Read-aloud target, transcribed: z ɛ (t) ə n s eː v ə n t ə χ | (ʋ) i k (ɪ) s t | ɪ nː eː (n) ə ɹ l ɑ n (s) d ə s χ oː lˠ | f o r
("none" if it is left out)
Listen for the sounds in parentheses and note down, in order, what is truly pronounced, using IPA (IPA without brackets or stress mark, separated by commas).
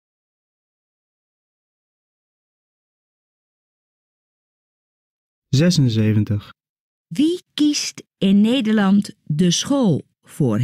s, ʋ, i, d, t